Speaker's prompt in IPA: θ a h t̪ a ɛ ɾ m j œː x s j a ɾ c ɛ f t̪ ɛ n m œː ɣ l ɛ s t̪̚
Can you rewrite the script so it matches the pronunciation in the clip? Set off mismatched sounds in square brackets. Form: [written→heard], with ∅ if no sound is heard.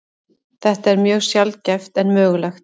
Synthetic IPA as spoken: θ [a→ɛ] h t̪ a ɛ ɾ m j œː [x→ɣ] s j a [ɾ→l] c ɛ f t̪ ɛ n m œː ɣ l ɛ [s→x] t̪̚